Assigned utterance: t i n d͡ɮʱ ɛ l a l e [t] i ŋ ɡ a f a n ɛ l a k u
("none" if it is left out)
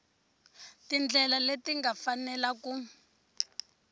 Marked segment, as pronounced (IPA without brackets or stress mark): t